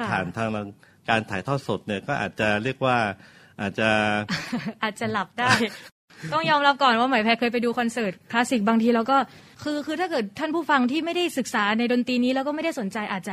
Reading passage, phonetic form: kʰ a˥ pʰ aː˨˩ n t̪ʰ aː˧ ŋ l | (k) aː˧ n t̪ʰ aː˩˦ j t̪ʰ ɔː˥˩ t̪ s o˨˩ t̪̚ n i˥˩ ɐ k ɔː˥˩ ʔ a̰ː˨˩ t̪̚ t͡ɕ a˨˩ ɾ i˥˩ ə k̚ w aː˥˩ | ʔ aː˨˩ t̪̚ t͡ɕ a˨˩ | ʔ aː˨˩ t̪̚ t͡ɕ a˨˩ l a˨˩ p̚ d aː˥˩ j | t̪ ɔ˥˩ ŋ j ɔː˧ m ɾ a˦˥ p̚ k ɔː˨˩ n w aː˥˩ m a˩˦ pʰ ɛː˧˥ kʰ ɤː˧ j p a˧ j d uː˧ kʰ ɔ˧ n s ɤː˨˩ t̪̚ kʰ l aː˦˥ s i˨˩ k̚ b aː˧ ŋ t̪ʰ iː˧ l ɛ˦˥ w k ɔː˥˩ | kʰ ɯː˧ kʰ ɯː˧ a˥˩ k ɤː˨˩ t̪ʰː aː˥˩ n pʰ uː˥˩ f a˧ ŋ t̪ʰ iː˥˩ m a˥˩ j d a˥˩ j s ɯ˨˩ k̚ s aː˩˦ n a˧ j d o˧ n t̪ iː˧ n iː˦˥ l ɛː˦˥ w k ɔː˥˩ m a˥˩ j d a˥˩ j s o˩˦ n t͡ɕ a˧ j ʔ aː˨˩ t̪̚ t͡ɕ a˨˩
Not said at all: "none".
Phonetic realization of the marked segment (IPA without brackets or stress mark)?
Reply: k